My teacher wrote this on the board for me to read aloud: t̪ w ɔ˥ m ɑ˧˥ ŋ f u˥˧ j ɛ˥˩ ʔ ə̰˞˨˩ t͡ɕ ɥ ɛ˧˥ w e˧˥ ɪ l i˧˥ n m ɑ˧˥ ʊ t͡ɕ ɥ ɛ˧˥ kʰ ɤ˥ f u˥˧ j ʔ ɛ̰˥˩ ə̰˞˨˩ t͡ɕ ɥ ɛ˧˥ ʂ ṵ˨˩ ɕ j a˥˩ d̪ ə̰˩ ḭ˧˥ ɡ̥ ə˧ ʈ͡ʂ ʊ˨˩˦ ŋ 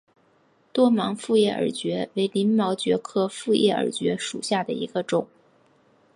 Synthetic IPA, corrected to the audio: t̪ w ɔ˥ m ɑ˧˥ ŋ f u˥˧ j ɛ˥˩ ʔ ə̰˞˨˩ t͡ɕ ɥ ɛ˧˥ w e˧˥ ɪ l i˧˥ n m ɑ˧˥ ʊ t͡ɕ ɥ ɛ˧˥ kʰ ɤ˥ f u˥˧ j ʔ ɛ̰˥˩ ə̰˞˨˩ t͡ɕ ɥ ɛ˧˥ ʂ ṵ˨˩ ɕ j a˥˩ d̪ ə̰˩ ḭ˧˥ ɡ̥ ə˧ ʈ͡ʂ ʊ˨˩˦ ŋ